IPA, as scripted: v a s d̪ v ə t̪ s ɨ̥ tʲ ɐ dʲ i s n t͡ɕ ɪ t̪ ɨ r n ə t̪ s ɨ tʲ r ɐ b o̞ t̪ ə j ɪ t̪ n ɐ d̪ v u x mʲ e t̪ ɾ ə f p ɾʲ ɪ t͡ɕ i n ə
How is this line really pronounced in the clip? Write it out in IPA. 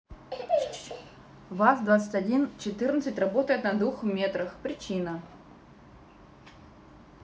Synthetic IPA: v a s d̪ v a t̪ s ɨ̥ tʲ ɐ dʲ i n t͡ɕ ɪ t̪ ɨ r n ə t̪ s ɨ tʲ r ɐ b o̞ t̪ ə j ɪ t̪ n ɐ d̪ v u x mʲ e t̪ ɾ ə x p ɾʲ ɪ t͡ɕ i n ə